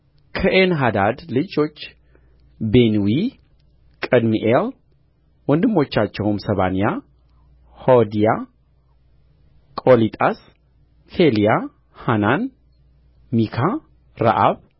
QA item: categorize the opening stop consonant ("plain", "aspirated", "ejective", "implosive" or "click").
aspirated